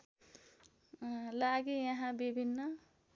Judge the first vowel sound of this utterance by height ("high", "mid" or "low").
low